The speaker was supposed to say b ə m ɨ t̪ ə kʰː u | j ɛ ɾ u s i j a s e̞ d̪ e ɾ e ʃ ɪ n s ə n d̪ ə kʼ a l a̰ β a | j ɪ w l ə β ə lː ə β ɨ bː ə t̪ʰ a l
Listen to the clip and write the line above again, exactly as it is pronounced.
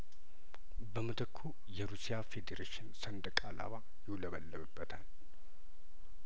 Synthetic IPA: b ə m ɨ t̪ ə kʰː u | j ɛ ɾ u s i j a f e̞ d̪ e ɾ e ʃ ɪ n s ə n d̪ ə kʼ a l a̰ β a | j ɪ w l ə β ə lː ə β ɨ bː ə t̪ʰ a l